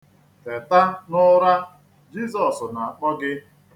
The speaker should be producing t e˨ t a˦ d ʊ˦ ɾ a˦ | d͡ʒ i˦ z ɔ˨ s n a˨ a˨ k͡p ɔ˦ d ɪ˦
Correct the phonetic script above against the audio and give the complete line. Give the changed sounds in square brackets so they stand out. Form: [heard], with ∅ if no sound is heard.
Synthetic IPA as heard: t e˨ t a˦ [n] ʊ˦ ɾ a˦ | d͡ʒ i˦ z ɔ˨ s n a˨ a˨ k͡p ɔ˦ [ɡ] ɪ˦